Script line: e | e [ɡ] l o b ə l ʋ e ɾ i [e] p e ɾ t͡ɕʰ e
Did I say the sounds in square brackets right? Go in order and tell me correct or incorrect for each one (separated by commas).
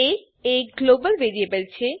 correct, correct